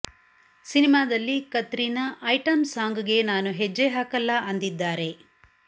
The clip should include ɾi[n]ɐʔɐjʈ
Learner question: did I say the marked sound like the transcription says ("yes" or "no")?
yes